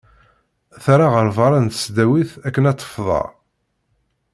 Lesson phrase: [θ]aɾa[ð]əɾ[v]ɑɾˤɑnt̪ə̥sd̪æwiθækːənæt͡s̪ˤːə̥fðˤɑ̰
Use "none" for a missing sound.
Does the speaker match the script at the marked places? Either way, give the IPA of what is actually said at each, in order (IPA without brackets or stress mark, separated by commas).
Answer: θ, ʁ, v